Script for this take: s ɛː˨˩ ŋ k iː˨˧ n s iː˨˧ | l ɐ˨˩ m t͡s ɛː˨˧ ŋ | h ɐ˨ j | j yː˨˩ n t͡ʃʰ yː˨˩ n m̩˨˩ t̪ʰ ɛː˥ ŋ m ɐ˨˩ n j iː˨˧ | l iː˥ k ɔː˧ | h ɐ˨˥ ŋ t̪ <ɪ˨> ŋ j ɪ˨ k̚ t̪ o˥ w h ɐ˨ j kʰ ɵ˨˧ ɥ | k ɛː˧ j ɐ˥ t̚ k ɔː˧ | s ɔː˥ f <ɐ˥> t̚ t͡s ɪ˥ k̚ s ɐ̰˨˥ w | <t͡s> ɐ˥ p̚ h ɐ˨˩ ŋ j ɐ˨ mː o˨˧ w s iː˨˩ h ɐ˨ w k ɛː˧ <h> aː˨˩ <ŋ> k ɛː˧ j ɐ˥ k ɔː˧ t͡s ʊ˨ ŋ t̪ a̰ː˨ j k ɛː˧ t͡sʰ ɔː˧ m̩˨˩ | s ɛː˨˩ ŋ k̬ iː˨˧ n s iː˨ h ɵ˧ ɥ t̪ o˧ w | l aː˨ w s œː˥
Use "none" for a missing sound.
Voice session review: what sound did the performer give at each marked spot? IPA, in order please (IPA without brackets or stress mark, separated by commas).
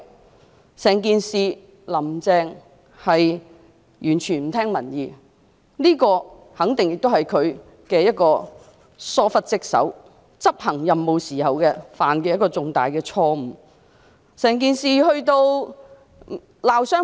ɪ˨, ɐ˥, t͡s, f, n